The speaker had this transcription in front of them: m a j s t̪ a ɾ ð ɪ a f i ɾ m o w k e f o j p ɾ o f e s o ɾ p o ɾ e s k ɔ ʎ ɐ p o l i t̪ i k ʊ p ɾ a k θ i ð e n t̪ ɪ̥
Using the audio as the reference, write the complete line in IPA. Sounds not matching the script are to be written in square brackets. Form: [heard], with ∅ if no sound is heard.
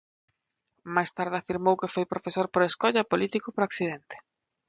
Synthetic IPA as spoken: m a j s t̪ a ɾ ð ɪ a f i ɾ m o w k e f o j p ɾ o f e s o ɾ p o ɾ e s k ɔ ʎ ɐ p o l i t̪ i k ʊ p ɾ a k θ i ð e n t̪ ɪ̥